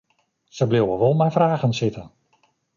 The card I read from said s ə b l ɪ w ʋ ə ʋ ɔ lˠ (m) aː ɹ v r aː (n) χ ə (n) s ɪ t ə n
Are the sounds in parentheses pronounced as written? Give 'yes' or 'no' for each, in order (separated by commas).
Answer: yes, no, yes